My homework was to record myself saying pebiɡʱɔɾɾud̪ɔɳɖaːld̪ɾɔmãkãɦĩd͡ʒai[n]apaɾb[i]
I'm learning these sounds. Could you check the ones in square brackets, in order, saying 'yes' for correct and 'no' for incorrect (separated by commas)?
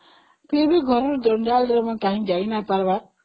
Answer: yes, no